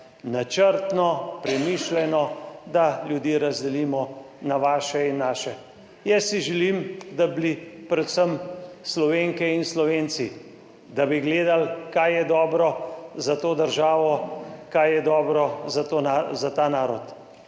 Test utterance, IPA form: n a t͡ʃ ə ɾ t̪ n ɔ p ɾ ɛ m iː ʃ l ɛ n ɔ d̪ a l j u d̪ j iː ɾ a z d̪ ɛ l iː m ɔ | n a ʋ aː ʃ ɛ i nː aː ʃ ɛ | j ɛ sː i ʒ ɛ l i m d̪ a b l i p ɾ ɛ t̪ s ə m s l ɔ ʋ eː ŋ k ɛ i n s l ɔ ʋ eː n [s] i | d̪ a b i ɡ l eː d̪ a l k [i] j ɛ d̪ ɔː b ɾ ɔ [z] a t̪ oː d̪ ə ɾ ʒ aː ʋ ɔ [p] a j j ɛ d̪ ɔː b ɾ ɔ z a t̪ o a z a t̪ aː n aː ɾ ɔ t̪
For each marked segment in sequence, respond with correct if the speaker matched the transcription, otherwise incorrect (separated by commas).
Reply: correct, incorrect, correct, incorrect